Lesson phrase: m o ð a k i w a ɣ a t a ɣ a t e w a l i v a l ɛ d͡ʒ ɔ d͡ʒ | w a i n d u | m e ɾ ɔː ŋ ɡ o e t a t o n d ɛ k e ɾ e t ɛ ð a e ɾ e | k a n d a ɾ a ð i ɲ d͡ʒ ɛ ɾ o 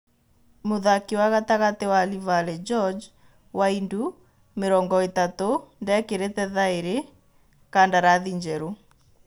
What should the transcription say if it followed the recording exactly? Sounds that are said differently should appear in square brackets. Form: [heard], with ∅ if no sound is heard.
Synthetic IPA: m o ð a k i w a ɣ a t a ɣ a t e w a l i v a l ɛ d͡ʒ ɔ d͡ʒ | w a i n d u | m e ɾ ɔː ŋ ɡ [ɔ] e t a t o n d ɛ k e ɾ e t ɛ ð a e ɾ e | k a n d a ɾ a ð i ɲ d͡ʒ ɛ ɾ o